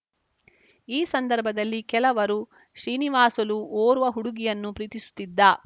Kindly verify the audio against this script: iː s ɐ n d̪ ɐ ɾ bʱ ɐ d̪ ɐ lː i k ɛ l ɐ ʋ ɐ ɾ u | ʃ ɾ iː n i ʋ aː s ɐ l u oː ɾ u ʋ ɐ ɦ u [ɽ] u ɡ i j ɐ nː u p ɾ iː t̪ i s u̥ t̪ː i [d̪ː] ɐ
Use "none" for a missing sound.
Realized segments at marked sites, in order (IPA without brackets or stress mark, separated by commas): ɽ, d̪ː